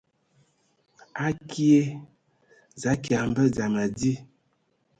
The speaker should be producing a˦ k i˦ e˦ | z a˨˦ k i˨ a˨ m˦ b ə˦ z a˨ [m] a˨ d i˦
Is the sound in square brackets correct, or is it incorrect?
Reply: correct